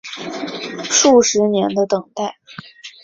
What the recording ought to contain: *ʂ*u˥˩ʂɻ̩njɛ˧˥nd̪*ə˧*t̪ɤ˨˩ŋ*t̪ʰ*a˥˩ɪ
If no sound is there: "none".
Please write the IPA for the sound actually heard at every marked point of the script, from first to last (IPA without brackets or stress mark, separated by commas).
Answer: ʂ, ə˧, t̪